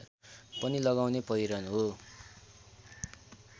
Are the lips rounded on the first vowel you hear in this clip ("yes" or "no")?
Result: no